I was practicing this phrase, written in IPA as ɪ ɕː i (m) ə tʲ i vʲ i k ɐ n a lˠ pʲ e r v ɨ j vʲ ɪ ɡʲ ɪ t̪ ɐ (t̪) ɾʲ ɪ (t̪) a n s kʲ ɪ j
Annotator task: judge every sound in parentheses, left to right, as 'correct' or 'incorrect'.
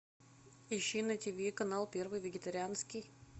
incorrect: n, incorrect: none, incorrect: none

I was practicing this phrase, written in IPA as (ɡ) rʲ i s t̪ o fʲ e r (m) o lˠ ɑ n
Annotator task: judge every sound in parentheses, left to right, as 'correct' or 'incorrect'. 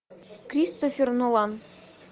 incorrect: k, incorrect: n

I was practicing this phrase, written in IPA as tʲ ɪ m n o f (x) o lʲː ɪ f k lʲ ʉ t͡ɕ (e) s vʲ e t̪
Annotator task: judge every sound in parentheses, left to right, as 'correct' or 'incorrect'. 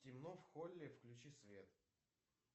correct, incorrect: i

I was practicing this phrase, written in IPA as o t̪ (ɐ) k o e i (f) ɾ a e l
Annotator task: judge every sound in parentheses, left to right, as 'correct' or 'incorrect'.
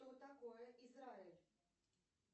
incorrect: a, incorrect: s

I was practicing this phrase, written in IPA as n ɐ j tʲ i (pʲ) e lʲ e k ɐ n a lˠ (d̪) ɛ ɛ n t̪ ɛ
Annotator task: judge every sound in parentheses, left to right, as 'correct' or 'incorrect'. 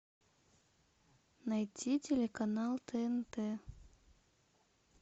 incorrect: tʲ, incorrect: t̪

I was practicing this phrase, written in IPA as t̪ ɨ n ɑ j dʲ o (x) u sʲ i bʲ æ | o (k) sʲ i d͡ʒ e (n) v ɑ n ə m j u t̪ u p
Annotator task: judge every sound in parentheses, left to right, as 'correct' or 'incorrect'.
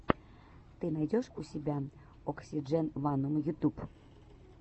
incorrect: ʃ, correct, correct

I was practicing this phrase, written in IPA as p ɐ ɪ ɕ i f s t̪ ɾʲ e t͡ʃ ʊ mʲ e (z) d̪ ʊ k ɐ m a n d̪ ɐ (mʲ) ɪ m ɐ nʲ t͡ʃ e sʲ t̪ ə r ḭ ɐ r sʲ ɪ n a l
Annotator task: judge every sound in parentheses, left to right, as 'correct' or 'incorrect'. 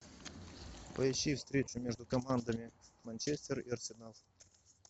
incorrect: ʐ, correct

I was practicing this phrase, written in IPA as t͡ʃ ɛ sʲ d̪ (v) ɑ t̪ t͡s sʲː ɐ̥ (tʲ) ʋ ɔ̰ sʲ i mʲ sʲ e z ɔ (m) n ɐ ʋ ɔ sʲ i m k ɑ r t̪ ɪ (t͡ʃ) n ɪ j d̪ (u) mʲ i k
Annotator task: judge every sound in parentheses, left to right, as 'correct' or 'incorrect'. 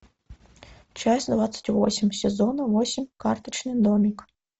incorrect: ʋ, correct, incorrect: none, correct, incorrect: ɔ

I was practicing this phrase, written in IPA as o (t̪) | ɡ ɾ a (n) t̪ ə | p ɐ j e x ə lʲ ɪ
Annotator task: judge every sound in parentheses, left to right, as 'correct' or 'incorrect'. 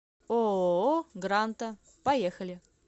incorrect: none, correct

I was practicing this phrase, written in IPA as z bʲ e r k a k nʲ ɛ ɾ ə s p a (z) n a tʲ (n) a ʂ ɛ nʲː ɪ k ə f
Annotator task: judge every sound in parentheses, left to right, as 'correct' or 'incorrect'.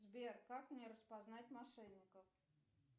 correct, incorrect: m

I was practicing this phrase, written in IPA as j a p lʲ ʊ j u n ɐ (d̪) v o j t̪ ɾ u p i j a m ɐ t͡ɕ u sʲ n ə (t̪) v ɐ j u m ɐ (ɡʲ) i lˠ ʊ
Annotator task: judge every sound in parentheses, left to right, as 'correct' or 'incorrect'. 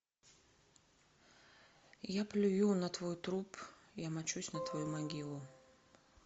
incorrect: t̪, correct, correct

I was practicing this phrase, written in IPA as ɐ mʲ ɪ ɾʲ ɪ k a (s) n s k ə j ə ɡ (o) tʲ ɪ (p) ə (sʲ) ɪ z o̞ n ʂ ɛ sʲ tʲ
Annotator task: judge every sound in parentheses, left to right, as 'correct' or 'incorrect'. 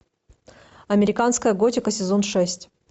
incorrect: none, correct, incorrect: k, correct

